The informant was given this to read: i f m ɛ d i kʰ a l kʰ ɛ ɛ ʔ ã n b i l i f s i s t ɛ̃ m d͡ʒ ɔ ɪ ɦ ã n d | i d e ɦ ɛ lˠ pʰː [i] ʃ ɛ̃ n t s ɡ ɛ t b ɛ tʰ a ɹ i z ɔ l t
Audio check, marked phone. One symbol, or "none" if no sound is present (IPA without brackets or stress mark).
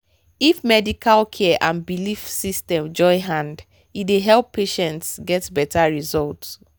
e